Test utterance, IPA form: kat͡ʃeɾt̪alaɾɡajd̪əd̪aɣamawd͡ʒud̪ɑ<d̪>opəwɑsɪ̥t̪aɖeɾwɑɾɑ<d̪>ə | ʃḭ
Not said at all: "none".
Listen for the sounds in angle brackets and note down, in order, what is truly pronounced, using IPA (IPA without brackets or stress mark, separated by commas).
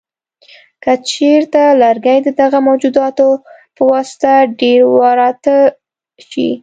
t̪, t̪